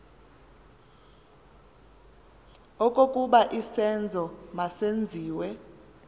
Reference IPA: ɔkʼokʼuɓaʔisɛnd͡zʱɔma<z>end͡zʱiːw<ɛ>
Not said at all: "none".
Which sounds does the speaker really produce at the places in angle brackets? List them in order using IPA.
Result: s, ɛ

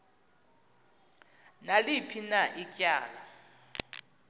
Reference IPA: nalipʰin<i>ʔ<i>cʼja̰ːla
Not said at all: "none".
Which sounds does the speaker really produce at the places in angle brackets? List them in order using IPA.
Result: a, i

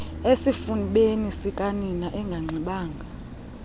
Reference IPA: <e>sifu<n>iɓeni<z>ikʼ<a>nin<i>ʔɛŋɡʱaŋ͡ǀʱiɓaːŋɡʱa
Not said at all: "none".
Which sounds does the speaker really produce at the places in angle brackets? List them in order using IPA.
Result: e, n, s, a, a

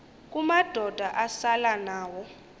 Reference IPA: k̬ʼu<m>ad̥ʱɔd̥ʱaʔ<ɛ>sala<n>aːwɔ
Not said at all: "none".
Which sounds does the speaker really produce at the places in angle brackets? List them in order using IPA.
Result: m, a, n

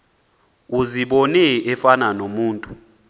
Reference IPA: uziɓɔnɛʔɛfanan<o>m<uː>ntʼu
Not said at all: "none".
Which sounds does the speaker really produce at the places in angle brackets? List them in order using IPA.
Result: o, uː

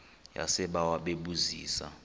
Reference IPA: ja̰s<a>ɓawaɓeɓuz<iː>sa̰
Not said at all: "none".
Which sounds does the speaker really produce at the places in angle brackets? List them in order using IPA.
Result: ɛ, iː

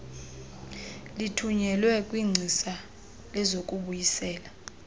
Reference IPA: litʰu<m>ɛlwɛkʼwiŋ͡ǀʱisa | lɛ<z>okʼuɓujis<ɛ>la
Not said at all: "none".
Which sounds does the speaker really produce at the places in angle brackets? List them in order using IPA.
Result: ɲ, z, ɛː

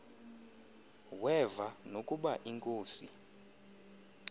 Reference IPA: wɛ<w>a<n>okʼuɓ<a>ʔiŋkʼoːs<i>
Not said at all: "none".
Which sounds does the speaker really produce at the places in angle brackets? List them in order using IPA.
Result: v, n, a, i

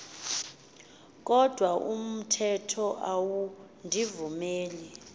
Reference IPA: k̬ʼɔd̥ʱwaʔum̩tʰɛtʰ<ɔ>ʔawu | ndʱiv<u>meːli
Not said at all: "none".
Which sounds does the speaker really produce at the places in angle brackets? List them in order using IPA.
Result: ɔ, u

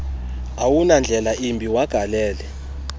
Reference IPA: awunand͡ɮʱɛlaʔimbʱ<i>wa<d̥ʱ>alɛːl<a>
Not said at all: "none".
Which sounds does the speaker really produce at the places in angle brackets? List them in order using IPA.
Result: i, ɡ̥ʱ, ɛ

